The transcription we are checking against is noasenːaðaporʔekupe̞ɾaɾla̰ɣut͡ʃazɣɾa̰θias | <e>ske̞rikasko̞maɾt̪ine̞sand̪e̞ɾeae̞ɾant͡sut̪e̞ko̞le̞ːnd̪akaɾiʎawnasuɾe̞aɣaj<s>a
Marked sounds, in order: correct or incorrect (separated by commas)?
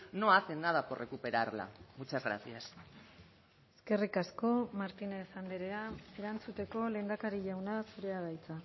correct, incorrect